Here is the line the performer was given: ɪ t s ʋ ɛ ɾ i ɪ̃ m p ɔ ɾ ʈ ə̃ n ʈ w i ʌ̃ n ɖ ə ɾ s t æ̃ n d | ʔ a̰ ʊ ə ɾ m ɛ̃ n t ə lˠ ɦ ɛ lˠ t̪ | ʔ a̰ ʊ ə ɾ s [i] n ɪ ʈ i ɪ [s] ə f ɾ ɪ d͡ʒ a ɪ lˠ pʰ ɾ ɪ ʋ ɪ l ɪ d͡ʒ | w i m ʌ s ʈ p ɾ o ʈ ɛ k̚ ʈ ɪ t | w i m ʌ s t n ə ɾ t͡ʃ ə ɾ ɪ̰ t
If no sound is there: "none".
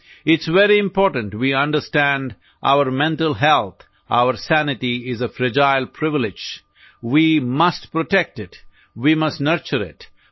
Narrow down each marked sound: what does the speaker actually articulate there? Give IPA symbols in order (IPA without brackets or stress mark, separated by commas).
æ, z